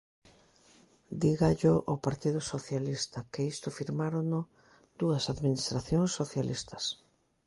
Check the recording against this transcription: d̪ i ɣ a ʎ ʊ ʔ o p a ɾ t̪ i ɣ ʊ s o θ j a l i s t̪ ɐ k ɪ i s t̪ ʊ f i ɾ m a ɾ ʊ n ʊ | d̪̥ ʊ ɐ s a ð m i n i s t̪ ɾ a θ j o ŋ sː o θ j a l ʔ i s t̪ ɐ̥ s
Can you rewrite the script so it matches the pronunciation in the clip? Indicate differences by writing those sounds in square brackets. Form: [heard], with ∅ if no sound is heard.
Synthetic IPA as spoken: d̪ i ɣ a ʎ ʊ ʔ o p a ɾ t̪ i [ð] ʊ s o θ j a l i s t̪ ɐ k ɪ i s t̪ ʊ f i ɾ m a ɾ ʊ n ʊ | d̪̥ [u] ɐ s a ð m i n i s t̪ ɾ a θ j o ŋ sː o θ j a l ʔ i s t̪ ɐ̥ s

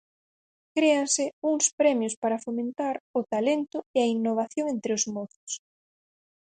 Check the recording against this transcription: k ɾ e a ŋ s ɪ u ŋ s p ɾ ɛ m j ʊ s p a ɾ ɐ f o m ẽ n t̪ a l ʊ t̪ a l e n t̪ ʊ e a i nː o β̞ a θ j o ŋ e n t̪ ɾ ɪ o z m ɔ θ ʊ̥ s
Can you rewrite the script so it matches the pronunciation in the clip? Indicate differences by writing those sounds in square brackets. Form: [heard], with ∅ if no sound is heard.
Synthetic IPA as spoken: k ɾ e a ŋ s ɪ u ŋ s p ɾ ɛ m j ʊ s p a ɾ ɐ f o m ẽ n t̪ a [ɾ] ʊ t̪ a l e n t̪ ʊ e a i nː o β̞ a θ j o ŋ e n t̪ ɾ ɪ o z m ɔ θ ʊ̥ s

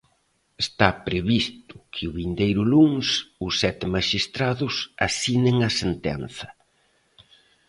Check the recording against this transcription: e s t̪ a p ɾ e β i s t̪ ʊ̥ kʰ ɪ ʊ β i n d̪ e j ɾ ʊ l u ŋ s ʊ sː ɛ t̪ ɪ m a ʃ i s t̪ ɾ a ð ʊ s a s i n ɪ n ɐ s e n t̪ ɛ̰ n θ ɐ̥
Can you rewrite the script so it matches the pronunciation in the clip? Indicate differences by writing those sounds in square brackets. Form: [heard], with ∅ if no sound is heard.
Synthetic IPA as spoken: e s t̪ a p ɾ e β i s t̪ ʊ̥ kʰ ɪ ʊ β i n d̪ e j ɾ ʊ l u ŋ s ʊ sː ɛ t̪ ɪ m a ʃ i s t̪ ɾ a ð ʊ s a s i n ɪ [ŋ] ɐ s e n t̪ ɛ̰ n θ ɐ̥

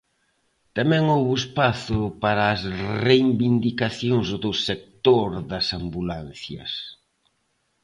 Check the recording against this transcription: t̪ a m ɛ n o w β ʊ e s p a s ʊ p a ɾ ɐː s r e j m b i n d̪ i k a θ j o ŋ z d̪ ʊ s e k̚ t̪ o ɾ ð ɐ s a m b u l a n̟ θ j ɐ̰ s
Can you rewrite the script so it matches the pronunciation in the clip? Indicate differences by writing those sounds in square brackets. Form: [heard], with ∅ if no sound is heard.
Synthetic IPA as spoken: t̪ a m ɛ [ŋ] o w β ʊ e s p a [θ] ʊ p a ɾ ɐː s r e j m b i n d̪ i k a θ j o ŋ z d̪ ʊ s e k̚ t̪ o ɾ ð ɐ s a m b u l a n̟ θ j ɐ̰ s

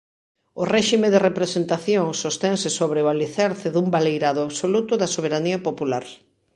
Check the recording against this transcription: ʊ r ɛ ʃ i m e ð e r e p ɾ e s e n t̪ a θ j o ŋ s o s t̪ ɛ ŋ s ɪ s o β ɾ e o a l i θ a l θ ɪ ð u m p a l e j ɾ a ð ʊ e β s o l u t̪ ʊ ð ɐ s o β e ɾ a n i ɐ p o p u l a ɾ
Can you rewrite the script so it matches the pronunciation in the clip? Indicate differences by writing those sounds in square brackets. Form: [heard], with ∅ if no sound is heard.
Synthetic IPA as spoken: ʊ r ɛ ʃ i m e ð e r e p ɾ e s e n t̪ a θ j o ŋ s o s t̪ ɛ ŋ s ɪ s o β ɾ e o a l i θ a [ɾ] θ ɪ ð u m [b] a l e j ɾ a ð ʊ [a] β s o l u t̪ ʊ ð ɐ s o β e ɾ a n i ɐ p o p u l a ɾ

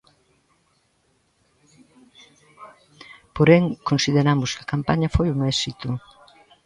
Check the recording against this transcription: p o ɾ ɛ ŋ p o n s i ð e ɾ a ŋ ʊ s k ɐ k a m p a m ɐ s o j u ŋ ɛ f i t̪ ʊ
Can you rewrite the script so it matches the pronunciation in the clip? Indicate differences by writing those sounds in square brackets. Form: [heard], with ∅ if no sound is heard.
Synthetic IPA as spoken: p o ɾ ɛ ŋ [k] o n s i ð e ɾ a [m] ʊ s k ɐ k a m p a [ɲ] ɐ [f] o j u ŋ ɛ [s] i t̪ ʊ

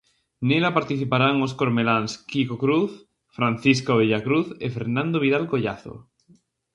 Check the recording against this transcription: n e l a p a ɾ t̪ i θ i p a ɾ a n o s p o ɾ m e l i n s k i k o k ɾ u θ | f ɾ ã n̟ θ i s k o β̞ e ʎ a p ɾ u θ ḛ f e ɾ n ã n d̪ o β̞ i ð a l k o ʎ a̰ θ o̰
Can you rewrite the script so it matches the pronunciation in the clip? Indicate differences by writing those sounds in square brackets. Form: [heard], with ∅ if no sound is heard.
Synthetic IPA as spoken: n e l a p a ɾ t̪ i θ i p a ɾ a [ŋ] o s [k] o ɾ m e l [a] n s k i k o k ɾ u θ | f ɾ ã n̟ θ i s k o β̞ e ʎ a [k] ɾ u θ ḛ f e ɾ n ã n d̪ o β̞ i ð a l k o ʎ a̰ θ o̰

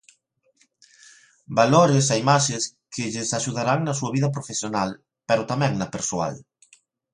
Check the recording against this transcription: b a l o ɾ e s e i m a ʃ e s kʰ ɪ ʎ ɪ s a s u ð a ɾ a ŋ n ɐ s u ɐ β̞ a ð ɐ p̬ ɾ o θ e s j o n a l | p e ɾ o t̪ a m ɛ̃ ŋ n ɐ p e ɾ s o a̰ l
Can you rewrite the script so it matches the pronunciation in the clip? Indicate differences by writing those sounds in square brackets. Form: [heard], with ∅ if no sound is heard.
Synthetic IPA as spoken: b a l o ɾ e s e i m a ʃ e s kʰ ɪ ʎ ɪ s a [ʃ] u ð a ɾ a ŋ n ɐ s u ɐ β̞ [i] ð ɐ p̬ ɾ o [f] e s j o n a l | p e ɾ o t̪ a m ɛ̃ ŋ n ɐ p e ɾ s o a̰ l

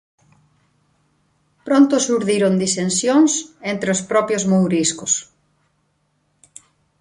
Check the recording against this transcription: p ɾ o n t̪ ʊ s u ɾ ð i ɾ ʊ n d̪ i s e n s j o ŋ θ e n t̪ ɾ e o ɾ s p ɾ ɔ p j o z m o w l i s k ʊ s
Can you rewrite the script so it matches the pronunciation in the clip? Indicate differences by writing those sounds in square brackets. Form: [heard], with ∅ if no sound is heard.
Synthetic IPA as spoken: p ɾ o n t̪ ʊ s u ɾ ð i ɾ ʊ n d̪ i s e n s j o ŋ [s] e n t̪ ɾ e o [∅] s p ɾ ɔ p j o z m o w [ɾ] i s k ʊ s

